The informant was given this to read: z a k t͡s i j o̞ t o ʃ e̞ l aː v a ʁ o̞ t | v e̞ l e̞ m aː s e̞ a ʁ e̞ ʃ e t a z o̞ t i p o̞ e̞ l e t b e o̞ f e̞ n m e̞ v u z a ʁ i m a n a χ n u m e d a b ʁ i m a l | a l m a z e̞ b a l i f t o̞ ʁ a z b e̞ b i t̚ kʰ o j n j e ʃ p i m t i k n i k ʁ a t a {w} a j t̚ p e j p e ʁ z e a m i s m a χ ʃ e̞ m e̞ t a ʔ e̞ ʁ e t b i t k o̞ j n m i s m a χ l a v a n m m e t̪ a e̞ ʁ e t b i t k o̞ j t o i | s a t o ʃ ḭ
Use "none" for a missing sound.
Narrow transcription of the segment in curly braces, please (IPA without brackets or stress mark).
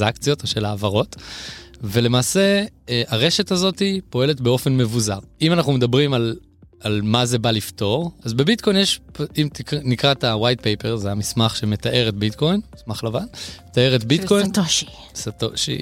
w